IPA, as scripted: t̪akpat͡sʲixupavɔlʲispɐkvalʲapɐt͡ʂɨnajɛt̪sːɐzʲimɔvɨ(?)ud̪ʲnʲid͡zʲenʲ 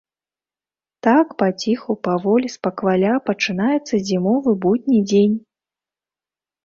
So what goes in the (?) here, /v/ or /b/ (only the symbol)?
b